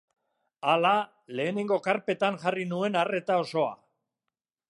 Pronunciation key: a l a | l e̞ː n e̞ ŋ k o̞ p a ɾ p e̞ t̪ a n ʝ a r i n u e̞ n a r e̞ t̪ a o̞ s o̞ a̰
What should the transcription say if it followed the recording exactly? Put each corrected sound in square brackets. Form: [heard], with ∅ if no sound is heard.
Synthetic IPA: a l a | l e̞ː n e̞ ŋ [ɡ] o̞ [k] a ɾ p e̞ t̪ a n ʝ a r i n u e̞ n a r e̞ t̪ a o̞ s o̞ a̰